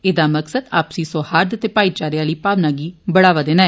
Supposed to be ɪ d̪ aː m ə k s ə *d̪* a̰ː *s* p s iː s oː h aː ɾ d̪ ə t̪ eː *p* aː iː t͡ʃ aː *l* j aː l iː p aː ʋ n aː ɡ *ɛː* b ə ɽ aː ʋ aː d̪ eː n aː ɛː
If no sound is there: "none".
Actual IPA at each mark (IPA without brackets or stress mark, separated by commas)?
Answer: d̪, none, p, ɾ, iː